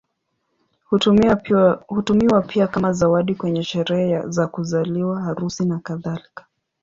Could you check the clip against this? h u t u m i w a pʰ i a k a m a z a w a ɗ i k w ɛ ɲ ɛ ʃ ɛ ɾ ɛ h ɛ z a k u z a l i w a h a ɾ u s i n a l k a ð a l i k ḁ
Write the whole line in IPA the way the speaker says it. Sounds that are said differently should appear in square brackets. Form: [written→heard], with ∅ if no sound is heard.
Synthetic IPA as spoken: h u t u m i w a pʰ i a k a m a z a w a ɗ i k w ɛ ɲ ɛ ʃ ɛ ɾ ɛ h ɛ z a k u z a l i w a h a ɾ u s i n a [l→∅] k a ð a l i k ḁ